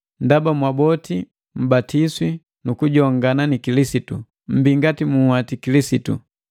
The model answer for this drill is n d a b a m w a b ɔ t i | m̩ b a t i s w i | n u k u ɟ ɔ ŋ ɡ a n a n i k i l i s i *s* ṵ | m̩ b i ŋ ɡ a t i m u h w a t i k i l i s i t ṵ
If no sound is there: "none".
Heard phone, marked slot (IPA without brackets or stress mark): t